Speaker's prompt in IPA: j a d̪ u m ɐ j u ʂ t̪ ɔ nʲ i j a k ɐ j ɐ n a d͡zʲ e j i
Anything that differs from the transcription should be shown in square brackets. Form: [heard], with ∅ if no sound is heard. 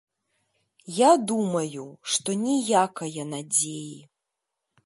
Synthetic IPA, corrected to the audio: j a d̪ u m ɐ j u ʂ t̪ ɔ nʲ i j a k ɐ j ɐ n a d͡zʲ e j i